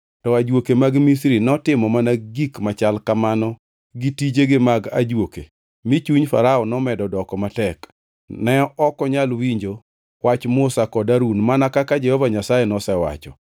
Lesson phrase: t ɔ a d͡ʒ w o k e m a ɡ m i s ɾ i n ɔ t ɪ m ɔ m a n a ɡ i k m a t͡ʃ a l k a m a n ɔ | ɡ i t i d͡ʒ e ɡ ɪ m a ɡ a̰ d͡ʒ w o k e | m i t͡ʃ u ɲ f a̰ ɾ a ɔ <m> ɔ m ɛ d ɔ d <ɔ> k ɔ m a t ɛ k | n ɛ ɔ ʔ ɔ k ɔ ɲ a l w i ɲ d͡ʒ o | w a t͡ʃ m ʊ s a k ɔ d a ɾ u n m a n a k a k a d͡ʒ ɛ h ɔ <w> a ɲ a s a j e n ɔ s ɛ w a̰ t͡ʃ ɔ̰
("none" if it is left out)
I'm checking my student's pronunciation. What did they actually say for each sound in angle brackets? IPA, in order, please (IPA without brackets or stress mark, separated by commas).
n, ɔ, v